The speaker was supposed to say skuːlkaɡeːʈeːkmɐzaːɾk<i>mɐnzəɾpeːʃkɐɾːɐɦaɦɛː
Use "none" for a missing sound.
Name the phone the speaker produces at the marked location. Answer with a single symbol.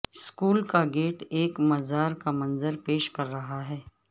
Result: a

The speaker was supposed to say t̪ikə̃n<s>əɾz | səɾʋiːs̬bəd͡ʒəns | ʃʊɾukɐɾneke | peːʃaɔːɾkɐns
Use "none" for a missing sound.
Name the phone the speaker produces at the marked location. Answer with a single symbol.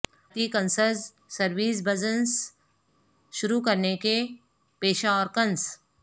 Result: s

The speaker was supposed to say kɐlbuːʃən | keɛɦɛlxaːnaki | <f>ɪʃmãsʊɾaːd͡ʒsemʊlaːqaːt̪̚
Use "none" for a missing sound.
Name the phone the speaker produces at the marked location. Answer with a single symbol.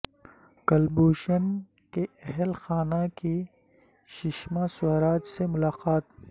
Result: ʃ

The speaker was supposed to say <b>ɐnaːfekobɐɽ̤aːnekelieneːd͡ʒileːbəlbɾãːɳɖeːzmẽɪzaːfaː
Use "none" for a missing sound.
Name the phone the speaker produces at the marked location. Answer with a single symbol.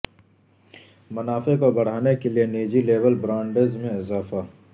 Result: m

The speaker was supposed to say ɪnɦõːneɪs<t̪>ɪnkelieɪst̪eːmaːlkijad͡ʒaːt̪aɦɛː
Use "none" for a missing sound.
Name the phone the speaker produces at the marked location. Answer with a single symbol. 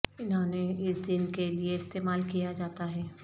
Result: d̪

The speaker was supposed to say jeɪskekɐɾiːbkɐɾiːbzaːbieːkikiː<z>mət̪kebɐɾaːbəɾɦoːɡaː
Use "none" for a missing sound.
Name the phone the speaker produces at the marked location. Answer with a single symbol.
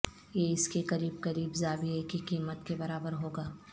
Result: none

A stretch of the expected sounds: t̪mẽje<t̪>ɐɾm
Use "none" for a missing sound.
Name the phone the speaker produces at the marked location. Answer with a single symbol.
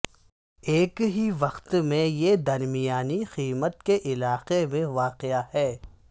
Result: d̪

